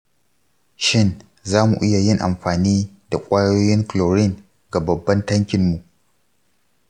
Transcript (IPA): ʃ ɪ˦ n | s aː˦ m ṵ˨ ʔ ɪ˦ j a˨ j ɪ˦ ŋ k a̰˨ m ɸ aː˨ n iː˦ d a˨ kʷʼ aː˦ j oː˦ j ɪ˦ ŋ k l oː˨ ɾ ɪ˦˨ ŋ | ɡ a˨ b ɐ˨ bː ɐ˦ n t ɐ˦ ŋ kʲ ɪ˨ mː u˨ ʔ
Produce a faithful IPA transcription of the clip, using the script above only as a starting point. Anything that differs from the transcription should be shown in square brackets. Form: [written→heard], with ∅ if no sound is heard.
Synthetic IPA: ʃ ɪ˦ n | [s→z] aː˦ m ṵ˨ ʔ ɪ˦ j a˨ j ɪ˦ ŋ [k→ʔ] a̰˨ m ɸ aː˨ n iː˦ d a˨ kʷʼ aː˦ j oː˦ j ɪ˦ ŋ k l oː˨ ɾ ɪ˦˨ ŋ | ɡ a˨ b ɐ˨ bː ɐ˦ n t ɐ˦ ŋ kʲ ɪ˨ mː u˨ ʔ